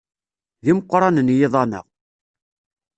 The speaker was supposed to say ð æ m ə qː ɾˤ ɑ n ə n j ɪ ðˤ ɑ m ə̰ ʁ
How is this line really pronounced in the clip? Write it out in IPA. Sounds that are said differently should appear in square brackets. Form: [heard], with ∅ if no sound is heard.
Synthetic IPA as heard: ð [i] m ə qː ɾˤ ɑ n ə n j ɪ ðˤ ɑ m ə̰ ʁ